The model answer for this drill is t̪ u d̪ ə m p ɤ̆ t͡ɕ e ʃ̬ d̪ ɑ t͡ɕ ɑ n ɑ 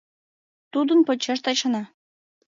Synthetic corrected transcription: t̪ u d̪ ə n p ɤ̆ t͡ɕ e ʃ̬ t̪ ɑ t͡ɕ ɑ n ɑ